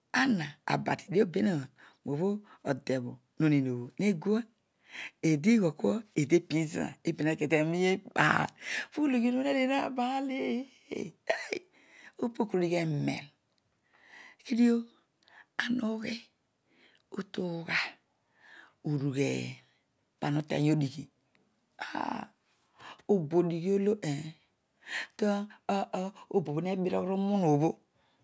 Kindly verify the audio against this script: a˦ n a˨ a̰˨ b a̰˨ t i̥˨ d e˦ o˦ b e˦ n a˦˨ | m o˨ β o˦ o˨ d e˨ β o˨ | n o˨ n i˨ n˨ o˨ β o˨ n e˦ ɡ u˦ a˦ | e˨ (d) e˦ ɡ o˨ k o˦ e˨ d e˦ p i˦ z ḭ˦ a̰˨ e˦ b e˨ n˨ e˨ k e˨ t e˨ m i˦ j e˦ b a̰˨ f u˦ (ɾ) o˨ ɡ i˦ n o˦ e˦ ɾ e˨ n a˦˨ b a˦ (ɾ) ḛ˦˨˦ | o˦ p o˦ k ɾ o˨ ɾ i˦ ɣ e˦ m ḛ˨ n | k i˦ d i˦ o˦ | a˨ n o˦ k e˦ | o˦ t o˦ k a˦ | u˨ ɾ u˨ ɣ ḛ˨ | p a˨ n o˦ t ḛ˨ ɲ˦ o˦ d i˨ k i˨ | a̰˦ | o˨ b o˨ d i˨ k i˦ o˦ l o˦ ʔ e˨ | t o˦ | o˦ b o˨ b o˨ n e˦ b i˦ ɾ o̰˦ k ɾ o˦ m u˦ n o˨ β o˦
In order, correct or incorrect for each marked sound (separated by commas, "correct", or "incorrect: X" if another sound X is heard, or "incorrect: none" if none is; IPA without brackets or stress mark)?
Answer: correct, incorrect: l, incorrect: l